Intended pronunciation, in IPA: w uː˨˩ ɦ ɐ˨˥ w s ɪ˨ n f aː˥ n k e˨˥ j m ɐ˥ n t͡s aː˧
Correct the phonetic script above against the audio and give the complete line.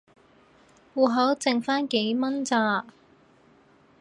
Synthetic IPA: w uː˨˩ ɦ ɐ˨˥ w t͡s ɪ˨ ŋ f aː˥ n k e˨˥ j m ɐ˥ n t͡s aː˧